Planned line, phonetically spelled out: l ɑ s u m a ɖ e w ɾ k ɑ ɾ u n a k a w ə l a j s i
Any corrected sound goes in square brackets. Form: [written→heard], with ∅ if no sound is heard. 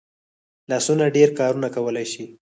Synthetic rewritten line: l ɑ s u [m→n] a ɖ e [w→∅] ɾ k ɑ ɾ u n a k a w ə l a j [s→ʃ] i

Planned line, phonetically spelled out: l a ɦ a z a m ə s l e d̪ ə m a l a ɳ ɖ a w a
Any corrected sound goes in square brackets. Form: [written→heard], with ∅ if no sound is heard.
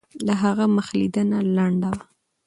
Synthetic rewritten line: l a ɦ a [z→ɣ] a m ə [s→x] l [e→i] d̪ ə [m→n] a l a ɳ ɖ a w a

